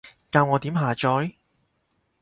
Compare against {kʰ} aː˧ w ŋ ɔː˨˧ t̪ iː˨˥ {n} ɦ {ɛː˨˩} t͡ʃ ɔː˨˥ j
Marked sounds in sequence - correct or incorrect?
incorrect, incorrect, incorrect

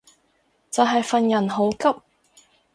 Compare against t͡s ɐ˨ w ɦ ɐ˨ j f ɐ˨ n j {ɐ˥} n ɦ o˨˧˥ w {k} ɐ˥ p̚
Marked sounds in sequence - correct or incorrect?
incorrect, correct

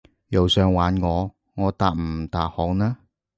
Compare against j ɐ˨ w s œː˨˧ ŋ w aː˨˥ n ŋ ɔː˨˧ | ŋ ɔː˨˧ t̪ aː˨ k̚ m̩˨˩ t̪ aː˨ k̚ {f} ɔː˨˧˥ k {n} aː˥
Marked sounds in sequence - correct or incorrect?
incorrect, correct

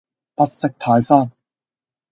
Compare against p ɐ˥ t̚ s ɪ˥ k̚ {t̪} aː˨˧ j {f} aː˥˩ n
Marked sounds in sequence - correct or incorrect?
incorrect, incorrect

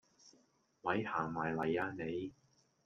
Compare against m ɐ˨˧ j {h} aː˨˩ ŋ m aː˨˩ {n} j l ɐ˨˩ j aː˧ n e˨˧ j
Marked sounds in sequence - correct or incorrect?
correct, incorrect

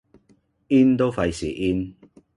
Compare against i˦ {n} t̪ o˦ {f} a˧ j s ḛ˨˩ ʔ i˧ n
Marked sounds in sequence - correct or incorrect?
correct, correct

